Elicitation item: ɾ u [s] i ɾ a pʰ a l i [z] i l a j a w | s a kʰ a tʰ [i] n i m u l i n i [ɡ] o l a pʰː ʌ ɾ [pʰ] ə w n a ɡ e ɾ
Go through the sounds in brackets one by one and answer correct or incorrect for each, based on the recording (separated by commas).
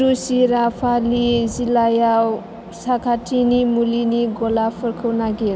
correct, correct, correct, correct, incorrect